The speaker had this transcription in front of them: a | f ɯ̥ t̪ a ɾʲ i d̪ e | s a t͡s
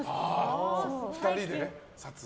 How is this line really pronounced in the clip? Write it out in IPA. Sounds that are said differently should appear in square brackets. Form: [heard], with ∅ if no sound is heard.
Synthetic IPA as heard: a | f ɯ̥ t̪ a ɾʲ i d̪ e | s a t͡s